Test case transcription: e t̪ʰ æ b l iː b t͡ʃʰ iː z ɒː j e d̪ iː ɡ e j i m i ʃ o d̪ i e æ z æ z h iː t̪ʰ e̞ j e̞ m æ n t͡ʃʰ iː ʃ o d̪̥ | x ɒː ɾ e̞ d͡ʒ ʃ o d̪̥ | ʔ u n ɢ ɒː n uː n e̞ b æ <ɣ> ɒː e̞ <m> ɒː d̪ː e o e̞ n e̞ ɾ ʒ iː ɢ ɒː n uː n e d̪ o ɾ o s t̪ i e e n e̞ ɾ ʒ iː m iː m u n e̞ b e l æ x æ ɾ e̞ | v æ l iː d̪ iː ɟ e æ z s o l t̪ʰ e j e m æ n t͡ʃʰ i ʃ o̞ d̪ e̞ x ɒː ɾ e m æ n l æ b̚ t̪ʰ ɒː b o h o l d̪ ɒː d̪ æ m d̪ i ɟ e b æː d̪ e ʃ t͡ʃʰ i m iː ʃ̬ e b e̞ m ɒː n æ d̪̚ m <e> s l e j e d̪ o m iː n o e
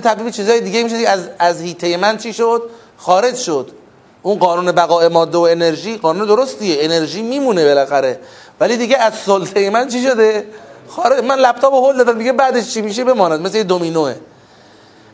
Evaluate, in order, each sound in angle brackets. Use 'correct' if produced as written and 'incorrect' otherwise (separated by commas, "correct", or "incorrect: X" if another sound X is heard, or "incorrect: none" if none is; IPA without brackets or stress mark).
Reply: correct, correct, correct